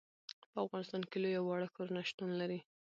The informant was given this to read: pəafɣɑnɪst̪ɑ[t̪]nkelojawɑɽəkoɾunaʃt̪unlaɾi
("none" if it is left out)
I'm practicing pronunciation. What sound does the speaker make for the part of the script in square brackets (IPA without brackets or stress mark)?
none